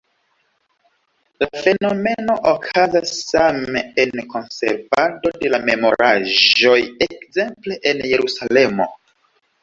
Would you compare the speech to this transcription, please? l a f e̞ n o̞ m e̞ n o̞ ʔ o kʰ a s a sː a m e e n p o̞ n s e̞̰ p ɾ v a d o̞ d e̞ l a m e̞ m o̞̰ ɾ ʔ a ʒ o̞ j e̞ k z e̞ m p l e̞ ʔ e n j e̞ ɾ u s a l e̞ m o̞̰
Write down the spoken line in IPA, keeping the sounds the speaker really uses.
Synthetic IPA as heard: l a f e̞ n o̞ m e̞ n o̞ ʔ o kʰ a z a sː a m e e n k o̞ n s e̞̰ ɾ v a d o̞ d e̞ l a m e̞ m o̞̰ ɾ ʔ a ʒ o̞ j e̞ k z e̞ m p l e̞ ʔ e n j e̞ ɾ u s a l e̞ m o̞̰

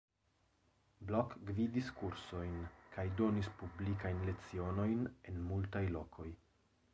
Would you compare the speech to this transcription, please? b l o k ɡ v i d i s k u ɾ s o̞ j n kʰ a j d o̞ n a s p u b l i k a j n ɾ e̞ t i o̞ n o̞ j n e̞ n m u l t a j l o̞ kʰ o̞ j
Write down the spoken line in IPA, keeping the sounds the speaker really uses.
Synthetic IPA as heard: b l o k ɡ v i d i s k u ɾ s o̞ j n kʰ a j d o̞ n i s p u b l i k a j n l e̞ t͡s i o̞ n o̞ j n e̞ n m u l t a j l o̞ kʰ o̞ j

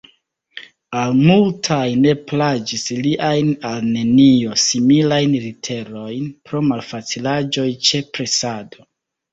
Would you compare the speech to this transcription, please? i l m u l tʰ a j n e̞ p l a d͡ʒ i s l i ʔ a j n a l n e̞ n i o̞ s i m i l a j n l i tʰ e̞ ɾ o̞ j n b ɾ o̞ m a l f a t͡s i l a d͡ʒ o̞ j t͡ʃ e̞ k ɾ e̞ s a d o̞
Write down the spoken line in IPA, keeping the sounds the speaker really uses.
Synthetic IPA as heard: a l m u l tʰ a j n e̞ p l a d͡ʒ i s l i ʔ a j n a l n e̞ n i o̞ s i m i l a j n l i tʰ e̞ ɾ o̞ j n p ɾ o̞ m a l f a t͡s i l a d͡ʒ o̞ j t͡ʃ e̞ p ɾ e̞ s a d o̞

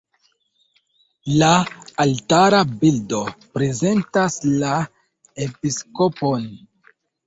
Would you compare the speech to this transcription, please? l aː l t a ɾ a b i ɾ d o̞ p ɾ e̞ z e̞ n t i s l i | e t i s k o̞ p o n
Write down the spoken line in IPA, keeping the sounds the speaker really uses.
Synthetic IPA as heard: l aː l t a ɾ a b i l d o̞ p ɾ e̞ z e̞ n t a s l a | e p i s k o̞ p o n

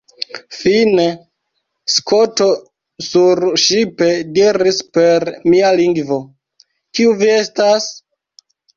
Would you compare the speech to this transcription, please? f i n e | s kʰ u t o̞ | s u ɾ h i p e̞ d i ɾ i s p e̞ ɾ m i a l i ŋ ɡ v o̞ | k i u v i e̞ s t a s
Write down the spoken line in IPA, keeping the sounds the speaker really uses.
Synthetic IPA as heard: f i n e | s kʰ o t o̞ | s u ɾ ʃ i p e̞ d i ɾ i s p e̞ ɾ m i a l i ŋ ɡ v o̞ | k i u v i e̞ s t a s

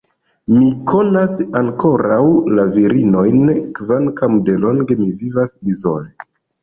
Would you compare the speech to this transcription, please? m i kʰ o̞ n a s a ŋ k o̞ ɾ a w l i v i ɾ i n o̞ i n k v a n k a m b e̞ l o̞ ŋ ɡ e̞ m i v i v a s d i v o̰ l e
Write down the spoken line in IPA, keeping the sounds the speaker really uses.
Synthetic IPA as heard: m i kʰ o̞ n a s a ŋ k o̞ ɾ a w l a v i ɾ i n o̞ j n k v a n k a m d e̞ l o̞ ŋ ɡ e̞ m i v i v a s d i z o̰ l e

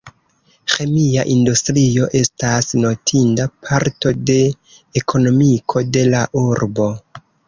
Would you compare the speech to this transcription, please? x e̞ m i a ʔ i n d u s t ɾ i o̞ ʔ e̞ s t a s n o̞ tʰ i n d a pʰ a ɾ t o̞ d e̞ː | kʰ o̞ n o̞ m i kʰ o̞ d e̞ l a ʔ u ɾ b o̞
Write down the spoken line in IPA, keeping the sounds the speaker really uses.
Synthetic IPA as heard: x e̞ m i a ʔ i n d u s t ɾ i o̞ ʔ e̞ s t a s n o̞ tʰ i n d a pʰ a ɾ t o̞ d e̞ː | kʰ o̞ n o̞ m i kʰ o̞ d e̞ l a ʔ u ɾ b o̞

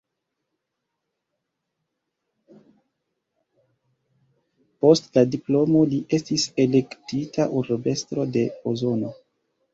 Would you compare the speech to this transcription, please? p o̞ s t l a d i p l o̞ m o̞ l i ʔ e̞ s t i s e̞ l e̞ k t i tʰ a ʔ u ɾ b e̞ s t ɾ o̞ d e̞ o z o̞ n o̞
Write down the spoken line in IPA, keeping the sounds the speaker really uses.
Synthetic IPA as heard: p o̞ s t l a d i p l o̞ m o̞ l i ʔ e̞ s t i s e̞ l e̞ k t i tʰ a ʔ u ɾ b e̞ s t ɾ o̞ d e̞ o z o̞ n o̞

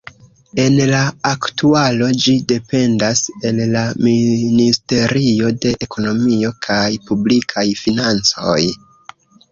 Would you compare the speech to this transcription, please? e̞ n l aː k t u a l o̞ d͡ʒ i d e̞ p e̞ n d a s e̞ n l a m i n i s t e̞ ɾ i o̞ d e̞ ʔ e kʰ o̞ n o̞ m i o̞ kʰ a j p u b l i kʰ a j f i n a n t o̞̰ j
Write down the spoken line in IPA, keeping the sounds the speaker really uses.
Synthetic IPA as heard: e̞ n l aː k t u a l o̞ d͡ʒ i d e̞ p e̞ n d a s e̞ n l a m i n i s t e̞ ɾ i o̞ d e̞ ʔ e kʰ o̞ n o̞ m i o̞ kʰ a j p u b l i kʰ a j f i n a n t͡s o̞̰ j

